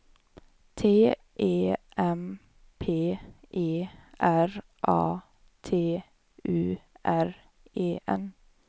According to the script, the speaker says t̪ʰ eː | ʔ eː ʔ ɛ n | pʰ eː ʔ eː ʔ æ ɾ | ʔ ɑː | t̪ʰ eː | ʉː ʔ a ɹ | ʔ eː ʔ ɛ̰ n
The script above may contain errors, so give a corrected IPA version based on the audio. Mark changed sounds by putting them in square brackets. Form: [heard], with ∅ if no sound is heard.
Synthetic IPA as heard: t̪ʰ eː | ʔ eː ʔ ɛ [m] | pʰ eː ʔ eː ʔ æ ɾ | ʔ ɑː | t̪ʰ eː | ʉː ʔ [æ] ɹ | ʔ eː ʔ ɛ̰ n